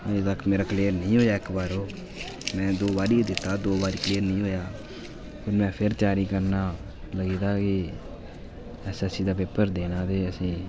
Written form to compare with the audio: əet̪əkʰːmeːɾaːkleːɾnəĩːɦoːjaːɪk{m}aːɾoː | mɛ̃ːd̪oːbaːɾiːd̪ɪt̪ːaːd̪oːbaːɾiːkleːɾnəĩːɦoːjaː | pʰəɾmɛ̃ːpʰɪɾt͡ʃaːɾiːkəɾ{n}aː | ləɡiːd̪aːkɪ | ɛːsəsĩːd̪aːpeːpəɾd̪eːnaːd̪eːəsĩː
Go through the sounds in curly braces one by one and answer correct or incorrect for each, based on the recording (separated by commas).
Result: incorrect, correct